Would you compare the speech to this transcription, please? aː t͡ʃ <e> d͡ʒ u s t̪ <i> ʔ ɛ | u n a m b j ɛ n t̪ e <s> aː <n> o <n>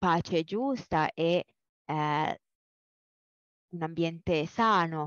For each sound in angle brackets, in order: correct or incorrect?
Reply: correct, incorrect: a, correct, correct, incorrect: none

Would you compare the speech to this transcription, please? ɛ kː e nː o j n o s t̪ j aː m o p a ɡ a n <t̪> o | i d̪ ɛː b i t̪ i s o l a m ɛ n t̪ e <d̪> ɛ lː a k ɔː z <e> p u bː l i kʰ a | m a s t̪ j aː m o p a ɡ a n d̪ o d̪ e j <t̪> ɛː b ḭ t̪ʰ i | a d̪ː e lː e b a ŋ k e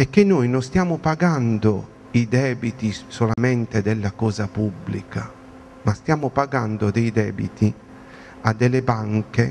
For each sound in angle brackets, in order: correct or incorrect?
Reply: incorrect: d̪, correct, incorrect: a, incorrect: d̪

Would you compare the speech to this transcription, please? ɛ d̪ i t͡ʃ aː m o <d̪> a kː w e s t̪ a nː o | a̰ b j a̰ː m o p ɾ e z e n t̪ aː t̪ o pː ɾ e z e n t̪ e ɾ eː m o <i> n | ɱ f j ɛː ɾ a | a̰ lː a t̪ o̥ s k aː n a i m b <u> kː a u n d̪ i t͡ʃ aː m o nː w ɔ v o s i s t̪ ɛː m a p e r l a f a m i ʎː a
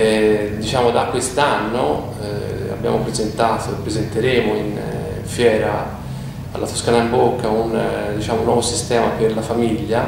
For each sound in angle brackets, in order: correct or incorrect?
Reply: correct, correct, incorrect: o

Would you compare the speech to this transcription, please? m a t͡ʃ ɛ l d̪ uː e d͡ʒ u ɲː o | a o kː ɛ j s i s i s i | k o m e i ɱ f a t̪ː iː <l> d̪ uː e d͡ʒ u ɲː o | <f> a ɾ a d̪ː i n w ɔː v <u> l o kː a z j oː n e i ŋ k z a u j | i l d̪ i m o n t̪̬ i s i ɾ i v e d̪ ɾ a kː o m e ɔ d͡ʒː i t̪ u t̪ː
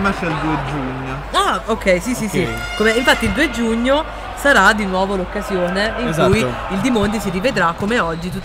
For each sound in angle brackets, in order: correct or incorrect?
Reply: correct, incorrect: s, incorrect: o

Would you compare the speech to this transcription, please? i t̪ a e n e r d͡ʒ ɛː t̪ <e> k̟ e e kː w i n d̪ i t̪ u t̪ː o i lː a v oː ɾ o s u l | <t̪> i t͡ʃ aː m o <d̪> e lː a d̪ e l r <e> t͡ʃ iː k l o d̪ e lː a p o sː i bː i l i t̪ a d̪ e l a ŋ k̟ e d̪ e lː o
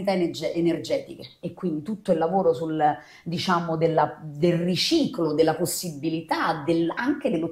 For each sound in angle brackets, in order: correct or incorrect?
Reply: incorrect: i, incorrect: d̪, correct, incorrect: i

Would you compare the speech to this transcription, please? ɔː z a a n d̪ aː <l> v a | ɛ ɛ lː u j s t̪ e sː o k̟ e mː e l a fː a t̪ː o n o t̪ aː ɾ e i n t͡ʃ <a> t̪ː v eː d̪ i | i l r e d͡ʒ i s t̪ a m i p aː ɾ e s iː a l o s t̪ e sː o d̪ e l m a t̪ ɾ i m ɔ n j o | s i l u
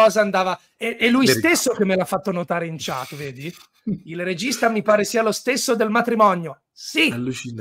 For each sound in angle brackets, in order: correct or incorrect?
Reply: incorrect: none, correct

